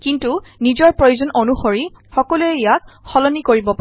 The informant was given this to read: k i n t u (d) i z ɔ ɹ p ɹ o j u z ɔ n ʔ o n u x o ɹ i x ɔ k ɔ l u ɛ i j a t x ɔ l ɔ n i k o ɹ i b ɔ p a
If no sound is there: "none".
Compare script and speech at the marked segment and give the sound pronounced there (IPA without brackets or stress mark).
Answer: n